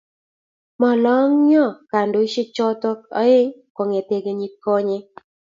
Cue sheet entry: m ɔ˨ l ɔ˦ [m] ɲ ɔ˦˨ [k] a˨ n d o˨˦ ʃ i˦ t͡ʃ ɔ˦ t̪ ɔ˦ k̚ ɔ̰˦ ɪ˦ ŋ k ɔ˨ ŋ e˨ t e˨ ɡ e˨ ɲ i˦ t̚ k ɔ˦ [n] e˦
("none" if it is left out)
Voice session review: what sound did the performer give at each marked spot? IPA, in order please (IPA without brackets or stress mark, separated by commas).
ŋ, k, ɲ